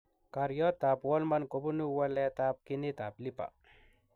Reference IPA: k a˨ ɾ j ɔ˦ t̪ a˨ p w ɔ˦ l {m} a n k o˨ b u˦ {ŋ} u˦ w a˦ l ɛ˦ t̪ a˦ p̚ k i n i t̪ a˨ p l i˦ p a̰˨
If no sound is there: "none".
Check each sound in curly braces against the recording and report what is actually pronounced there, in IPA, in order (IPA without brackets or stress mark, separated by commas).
m, n